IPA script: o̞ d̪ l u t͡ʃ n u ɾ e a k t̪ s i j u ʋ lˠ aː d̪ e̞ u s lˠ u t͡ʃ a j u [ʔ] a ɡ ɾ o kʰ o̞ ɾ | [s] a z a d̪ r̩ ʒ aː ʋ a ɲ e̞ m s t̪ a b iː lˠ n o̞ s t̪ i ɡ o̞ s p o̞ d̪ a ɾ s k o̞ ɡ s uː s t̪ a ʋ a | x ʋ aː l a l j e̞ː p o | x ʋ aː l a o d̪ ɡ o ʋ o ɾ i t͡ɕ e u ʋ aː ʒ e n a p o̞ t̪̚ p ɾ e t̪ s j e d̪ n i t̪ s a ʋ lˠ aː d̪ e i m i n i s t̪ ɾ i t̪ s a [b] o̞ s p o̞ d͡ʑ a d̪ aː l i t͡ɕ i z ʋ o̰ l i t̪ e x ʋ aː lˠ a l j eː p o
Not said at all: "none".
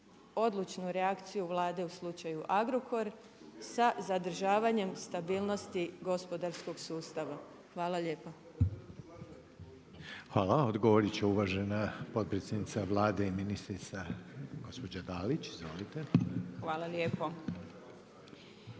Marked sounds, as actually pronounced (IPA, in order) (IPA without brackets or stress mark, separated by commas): ʔ, s, ɡ